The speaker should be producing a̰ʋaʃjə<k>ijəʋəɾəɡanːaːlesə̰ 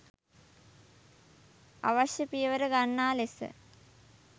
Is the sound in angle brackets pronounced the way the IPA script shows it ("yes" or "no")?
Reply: no